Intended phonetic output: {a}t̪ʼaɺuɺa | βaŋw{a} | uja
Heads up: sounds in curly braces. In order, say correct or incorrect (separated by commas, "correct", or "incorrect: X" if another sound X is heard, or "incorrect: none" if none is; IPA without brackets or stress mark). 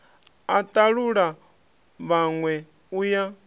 correct, incorrect: ɛ